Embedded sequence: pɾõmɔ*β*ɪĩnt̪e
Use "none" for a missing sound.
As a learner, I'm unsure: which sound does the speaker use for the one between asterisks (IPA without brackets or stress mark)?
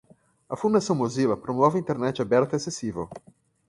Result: v